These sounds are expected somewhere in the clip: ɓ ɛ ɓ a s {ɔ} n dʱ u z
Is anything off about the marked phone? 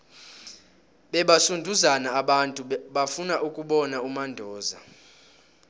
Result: yes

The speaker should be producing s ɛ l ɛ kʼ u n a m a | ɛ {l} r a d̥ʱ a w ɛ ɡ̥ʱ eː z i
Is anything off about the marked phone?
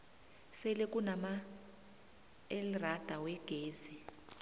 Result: no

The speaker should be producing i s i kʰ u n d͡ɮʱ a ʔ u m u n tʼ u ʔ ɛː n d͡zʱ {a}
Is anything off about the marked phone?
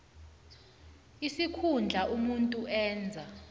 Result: no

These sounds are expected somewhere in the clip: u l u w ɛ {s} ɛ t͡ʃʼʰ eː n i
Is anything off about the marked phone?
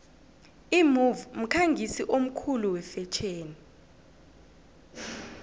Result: yes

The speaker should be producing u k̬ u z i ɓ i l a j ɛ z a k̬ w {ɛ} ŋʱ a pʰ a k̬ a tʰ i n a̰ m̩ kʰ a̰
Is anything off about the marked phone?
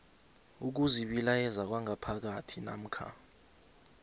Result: yes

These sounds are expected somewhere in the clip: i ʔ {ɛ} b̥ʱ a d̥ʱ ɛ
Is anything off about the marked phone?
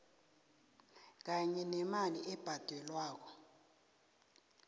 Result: no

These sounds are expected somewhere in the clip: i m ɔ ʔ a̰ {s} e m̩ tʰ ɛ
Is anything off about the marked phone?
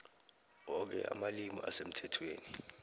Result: no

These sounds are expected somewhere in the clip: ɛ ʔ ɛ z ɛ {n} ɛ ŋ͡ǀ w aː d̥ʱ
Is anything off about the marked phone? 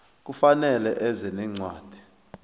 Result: no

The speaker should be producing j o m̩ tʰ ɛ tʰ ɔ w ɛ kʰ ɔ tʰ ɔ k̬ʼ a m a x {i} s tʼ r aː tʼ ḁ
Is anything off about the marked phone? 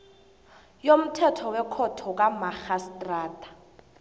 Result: yes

